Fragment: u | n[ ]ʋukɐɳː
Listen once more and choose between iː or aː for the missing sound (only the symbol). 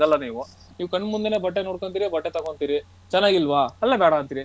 iː